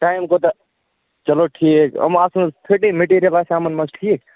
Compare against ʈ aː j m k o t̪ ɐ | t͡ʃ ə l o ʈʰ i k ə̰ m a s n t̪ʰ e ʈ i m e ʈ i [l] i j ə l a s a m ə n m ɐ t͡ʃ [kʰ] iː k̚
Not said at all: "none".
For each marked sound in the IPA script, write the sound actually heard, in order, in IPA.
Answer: ɾ, ʈʰ

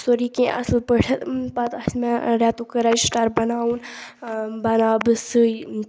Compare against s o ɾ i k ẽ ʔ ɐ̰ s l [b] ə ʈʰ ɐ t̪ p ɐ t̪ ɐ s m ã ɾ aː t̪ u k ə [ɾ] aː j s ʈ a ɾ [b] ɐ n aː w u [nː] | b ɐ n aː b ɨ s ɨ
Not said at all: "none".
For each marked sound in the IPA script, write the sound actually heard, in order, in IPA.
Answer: p, ɾ, b, n

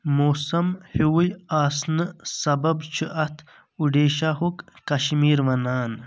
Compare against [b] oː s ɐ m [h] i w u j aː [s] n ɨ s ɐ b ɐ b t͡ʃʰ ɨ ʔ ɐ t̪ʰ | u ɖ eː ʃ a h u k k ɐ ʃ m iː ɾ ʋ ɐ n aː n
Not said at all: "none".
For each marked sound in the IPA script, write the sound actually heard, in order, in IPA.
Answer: m, h, s

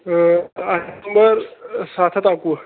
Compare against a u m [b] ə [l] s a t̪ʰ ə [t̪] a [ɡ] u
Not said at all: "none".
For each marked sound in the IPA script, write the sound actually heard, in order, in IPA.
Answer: b, ɾ, t̪, k

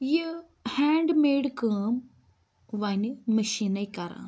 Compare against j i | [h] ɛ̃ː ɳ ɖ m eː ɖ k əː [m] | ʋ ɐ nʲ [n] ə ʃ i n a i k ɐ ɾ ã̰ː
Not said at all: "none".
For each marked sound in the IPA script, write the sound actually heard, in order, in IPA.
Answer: h, m, m

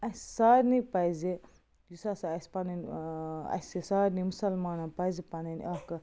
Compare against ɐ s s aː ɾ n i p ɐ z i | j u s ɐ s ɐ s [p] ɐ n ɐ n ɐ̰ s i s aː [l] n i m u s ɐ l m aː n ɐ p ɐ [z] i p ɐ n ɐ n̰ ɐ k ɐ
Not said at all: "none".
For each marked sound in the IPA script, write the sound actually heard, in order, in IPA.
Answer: p, ɾ, z

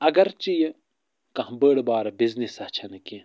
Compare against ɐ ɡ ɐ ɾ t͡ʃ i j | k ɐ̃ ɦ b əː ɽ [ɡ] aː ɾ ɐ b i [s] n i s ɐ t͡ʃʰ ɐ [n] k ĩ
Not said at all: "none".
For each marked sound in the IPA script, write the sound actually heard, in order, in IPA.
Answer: b, z, n

